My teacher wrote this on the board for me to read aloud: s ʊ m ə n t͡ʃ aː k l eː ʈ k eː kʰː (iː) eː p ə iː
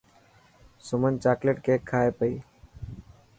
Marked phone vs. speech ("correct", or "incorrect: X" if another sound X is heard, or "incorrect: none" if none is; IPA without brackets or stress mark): incorrect: aː